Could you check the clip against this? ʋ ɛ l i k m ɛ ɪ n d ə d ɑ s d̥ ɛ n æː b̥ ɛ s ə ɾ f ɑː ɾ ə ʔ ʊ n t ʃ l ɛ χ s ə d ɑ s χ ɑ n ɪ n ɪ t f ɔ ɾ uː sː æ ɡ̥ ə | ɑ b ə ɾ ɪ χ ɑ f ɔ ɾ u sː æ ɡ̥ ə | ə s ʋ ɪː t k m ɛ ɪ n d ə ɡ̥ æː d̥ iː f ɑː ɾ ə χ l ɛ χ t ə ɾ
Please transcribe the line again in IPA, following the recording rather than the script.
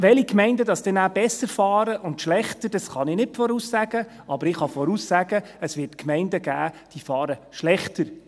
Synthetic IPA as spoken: ʋ ɛ l i k m ɛ ɪ n d ə d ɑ s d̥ ɛ n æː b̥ ɛ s ə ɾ f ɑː ɾ ə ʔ ʊ n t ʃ l ɛ χ t ə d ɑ s χ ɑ n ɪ n ɪ t f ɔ ɾ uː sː æ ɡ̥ ə | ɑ b ə ɾ ɪ χ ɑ f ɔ ɾ u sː æ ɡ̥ ə | ə s ʋ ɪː t k m ɛ ɪ n d ə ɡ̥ æː d̥ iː f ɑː ɾ ə ʃ l ɛ χ t ə ɾ